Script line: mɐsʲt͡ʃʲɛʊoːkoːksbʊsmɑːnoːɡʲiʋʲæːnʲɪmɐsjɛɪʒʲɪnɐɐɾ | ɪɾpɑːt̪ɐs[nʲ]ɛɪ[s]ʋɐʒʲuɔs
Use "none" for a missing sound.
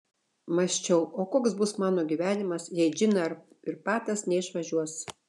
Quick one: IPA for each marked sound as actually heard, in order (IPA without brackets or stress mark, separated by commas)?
nʲ, ʃ